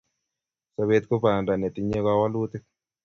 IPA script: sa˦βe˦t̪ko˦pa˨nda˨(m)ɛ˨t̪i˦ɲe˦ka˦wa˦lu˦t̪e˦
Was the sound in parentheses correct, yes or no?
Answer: no